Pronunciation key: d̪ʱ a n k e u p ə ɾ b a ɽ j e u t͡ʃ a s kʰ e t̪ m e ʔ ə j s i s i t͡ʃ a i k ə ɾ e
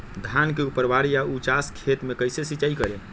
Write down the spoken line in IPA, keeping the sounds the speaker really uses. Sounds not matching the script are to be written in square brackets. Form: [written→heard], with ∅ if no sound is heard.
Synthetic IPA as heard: d̪ʱ a n k e u p ə ɾ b a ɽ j [e→a] u t͡ʃ a s kʰ e t̪ m e [ʔ→k] ə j s [i→e] s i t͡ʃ a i k ə ɾ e